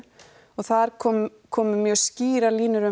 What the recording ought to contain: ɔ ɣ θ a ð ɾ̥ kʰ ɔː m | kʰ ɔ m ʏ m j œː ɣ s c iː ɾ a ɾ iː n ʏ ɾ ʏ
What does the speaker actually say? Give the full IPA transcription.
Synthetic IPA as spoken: ɔ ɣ θ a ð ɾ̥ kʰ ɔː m | kʰ ɔː m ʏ m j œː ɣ s c iː ɾ a l iː n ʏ ɾ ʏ